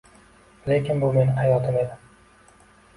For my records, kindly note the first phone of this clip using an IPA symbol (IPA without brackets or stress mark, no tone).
l